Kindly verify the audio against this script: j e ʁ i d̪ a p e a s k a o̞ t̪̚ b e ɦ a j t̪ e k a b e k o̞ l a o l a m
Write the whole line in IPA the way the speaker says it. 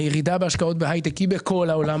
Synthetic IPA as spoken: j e ʁ i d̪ a b e a ʃ k a o̞ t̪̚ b e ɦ a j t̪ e k i b e k o̞ l a o l a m